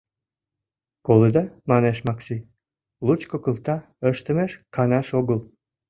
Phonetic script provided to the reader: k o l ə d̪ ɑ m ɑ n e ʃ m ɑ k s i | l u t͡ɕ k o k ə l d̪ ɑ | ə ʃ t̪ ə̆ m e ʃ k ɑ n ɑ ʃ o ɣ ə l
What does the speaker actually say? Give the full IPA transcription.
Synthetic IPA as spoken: k o l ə d̪ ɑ m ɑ n e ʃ m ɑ k s i | l u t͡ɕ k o k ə l t̪ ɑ | ə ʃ t̪ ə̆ m e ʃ k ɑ n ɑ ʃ o ɣ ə l